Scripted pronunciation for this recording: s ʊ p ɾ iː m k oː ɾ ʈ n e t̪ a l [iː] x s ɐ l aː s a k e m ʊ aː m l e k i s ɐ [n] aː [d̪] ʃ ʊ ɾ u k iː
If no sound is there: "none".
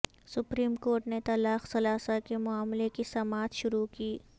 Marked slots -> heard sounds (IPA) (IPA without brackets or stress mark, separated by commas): aː, m, t̪